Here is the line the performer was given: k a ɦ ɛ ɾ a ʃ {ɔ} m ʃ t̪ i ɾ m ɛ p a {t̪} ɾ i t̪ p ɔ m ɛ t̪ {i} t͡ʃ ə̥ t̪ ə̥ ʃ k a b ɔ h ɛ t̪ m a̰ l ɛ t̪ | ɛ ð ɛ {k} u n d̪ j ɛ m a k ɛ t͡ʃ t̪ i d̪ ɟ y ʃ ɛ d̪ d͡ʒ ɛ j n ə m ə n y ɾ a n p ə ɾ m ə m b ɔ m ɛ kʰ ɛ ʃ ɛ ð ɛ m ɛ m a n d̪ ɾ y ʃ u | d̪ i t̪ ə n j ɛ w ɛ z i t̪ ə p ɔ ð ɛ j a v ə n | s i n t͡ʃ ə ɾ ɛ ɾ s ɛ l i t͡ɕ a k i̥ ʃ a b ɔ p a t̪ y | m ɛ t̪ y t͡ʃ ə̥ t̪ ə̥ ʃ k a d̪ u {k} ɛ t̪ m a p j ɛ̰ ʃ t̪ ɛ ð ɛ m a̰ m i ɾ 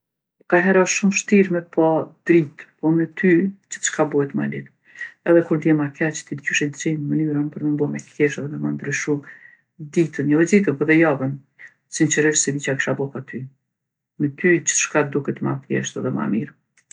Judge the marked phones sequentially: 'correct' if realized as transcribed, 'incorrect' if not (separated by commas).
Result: incorrect, incorrect, incorrect, correct, correct